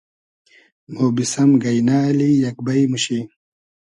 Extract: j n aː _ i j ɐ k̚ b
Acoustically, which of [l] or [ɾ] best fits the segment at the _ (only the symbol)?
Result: l